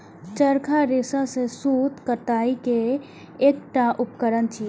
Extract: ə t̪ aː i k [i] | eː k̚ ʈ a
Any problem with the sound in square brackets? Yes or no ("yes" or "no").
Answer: yes